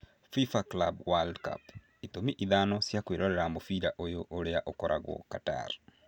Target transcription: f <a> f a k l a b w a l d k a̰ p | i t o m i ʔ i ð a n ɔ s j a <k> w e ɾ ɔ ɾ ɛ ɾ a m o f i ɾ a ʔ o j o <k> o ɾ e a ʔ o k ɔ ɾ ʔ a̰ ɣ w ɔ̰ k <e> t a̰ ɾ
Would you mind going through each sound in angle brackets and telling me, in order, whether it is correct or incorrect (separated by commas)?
incorrect, correct, incorrect, incorrect